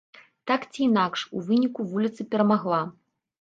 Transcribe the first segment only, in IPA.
t̪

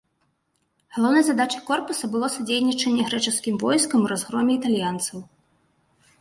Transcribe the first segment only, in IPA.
ɣ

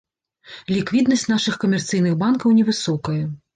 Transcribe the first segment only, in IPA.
lʲ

